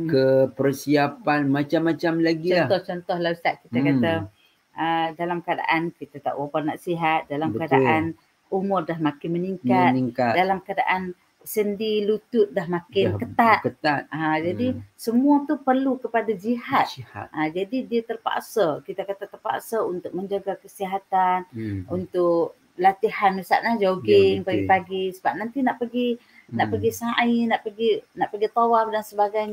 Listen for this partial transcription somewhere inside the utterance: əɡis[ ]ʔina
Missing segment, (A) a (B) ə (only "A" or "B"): A